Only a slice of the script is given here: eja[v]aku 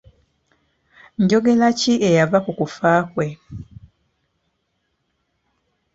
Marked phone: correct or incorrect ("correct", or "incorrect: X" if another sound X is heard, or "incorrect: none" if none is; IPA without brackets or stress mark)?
correct